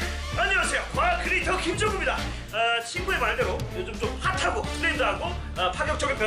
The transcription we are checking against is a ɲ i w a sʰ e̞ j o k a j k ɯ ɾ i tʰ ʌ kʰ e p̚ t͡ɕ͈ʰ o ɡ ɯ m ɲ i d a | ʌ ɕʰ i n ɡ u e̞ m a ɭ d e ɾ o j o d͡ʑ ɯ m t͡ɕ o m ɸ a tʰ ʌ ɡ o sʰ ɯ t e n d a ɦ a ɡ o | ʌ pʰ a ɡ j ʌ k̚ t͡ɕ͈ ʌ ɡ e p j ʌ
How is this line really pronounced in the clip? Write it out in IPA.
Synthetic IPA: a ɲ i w a sʰ e̞ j o k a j k ɯ ɾ i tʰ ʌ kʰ i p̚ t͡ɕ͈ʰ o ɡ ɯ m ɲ i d a | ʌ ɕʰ i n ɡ u e̞ m a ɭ d e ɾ o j o d͡ʑ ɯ m t͡ɕ o m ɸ a tʰ a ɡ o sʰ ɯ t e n d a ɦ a ɡ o | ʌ pʰ a ɡ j ʌ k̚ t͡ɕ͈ ʌ ɡ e p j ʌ

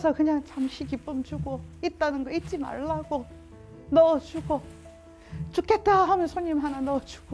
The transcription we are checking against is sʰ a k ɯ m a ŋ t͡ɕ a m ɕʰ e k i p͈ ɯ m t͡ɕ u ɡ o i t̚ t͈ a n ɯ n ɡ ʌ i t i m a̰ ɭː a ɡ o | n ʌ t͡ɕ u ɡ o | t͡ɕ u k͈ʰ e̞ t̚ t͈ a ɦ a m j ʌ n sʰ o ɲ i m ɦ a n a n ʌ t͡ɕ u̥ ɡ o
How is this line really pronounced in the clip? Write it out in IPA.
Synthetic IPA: sʰ ʌ k ɯ ɲ a ŋ t͡ɕ a m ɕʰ i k i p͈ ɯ m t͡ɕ u ɡ o i t̚ t͈ a n ɯ n ɡ ʌ i t͡ɕ͈ i m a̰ ɭː a ɡ o | n ʌ t͡ɕ u ɡ o | t͡ɕ u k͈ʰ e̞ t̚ t͈ a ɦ a m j ʌ n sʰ o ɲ i m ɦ a n a n ʌ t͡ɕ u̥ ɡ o

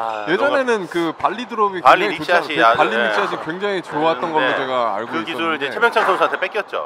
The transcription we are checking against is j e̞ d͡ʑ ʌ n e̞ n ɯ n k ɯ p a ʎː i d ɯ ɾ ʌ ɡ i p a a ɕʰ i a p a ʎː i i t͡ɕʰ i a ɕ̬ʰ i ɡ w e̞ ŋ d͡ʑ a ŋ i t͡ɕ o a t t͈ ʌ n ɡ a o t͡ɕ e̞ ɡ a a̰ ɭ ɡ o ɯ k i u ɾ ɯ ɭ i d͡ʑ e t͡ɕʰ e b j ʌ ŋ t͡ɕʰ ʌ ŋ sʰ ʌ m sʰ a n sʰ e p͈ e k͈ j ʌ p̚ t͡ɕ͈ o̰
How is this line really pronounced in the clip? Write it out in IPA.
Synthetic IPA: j e̞ d͡ʑ ʌ n e̞ n ɯ n k ɯ p a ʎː i d ɯ ɾ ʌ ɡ i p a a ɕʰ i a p a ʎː i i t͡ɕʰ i a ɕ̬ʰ i k w e̞ ŋ d͡ʑ a ŋ i t͡ɕ o a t t͈ ʌ n ɡ ʌ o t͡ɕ e̞ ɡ a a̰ ɭ ɡ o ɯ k i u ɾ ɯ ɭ i d͡ʑ e t͡ɕʰ e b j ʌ ŋ t͡ɕʰ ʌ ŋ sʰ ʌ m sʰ a n tʰ e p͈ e k͈ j ʌ t̚ t͡ɕ͈ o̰

